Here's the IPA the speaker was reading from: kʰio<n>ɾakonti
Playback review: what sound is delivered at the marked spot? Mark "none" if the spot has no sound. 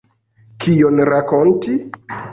n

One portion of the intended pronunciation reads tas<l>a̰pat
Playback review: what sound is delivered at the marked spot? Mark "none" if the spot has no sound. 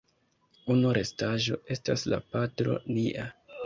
l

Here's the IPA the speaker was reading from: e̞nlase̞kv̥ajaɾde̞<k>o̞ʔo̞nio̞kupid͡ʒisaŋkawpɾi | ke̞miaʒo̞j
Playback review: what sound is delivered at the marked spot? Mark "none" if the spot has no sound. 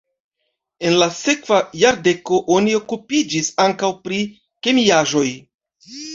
k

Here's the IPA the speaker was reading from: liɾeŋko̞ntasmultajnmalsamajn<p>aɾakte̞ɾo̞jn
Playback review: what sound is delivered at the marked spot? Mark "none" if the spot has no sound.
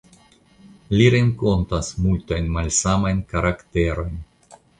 k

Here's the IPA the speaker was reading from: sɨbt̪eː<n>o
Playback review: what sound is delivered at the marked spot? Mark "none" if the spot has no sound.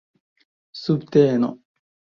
n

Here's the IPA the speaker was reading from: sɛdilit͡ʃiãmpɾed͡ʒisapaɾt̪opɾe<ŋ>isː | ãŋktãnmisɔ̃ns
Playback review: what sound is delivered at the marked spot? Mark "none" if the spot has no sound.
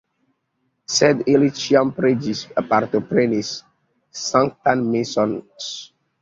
n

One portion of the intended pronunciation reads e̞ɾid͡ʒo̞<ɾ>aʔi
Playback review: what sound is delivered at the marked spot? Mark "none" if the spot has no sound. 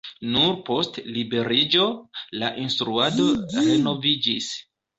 l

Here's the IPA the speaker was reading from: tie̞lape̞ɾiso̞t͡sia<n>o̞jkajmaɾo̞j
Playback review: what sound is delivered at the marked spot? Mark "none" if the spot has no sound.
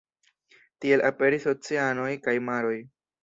n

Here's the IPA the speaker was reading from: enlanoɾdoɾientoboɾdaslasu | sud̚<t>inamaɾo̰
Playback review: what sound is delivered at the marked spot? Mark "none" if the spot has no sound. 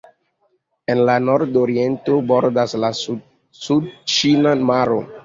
t͡ʃ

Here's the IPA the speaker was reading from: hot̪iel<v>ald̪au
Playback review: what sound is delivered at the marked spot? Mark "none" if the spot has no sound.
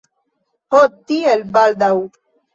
b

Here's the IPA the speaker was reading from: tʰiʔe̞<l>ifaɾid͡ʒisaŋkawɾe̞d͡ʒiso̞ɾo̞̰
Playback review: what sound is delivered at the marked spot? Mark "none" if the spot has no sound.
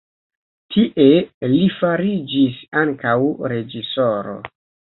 l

